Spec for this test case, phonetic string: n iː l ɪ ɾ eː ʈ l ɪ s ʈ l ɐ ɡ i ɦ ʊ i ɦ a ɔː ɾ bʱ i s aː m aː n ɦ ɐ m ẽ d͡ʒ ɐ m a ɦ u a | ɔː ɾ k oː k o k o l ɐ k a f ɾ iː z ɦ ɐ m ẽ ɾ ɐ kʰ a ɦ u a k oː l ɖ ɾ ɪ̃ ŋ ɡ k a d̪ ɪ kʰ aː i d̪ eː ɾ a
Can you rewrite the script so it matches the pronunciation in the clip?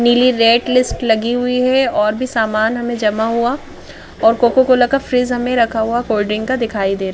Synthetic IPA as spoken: n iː l i ɾ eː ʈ l ɪ s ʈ l ɐ ɡ i ɦ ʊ i ɦ ɛ ɔː ɾ bʱ i s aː m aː n ɦ ɐ m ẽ d͡ʒ ɐ m a ɦ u a | ɔː ɾ k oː k o k o l ɐ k a f ɾ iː z ɦ ɐ m ẽ ɾ ɐ kʰ a ɦ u a k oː l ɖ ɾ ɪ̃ ŋ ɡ k a d̪ ɪ kʰ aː i d̪ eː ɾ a